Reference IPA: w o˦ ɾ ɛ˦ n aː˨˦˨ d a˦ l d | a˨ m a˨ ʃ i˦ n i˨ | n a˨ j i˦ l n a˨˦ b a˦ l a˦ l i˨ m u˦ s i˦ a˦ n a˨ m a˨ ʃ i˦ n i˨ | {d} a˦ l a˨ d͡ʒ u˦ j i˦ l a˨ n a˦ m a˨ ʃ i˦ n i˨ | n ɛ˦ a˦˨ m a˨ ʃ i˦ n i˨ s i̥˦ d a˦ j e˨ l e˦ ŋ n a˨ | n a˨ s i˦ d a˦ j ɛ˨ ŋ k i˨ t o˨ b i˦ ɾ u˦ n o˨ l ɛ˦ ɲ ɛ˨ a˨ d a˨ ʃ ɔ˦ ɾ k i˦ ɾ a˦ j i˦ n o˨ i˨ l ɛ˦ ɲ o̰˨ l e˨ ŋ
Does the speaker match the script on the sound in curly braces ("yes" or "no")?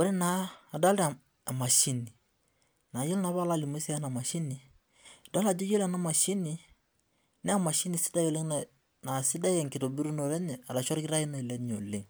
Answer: yes